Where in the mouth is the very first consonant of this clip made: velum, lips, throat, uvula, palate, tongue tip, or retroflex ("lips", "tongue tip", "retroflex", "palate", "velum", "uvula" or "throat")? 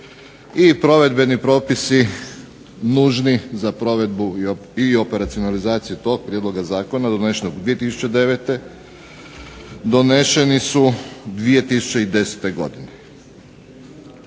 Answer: lips